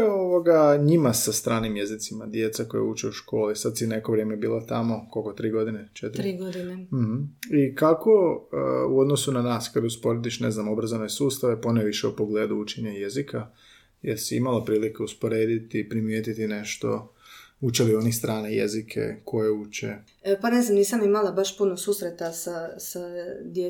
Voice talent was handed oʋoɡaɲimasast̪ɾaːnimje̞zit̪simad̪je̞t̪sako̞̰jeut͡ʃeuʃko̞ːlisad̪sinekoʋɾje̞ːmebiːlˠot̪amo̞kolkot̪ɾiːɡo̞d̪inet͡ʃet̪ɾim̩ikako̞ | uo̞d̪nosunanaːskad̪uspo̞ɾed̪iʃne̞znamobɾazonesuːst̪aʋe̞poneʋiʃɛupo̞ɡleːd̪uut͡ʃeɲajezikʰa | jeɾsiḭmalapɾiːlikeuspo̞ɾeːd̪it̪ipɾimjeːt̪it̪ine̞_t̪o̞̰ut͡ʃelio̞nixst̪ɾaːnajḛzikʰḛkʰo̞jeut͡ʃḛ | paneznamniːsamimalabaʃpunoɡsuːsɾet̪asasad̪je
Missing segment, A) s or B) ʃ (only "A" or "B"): B